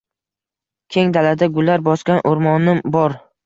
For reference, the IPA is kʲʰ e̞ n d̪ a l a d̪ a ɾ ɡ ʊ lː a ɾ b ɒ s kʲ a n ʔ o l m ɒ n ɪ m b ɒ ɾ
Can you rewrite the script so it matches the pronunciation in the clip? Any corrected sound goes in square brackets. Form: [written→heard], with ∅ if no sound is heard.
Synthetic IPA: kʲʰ e̞ [n→ŋ] d̪ a l a d̪ a [ɾ→∅] ɡ ʊ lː a ɾ b ɒ s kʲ a n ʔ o [l→ɾ] m ɒ n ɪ m b ɒ ɾ